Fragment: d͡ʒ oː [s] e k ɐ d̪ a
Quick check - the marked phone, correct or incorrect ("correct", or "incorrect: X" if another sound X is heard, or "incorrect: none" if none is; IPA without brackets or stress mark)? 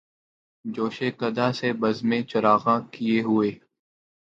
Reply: incorrect: ʃ